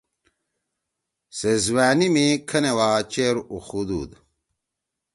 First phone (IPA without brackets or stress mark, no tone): s